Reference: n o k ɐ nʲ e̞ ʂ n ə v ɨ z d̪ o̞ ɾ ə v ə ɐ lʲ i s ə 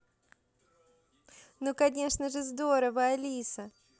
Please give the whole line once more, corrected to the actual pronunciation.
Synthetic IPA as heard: n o k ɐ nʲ e̞ ʂ n ə ʐ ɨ z d̪ o̞ ɾ ə v ə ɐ lʲ i s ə